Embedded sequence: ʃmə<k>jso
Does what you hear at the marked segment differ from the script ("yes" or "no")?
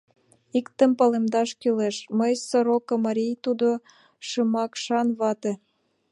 yes